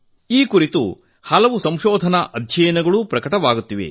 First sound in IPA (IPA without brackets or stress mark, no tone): iː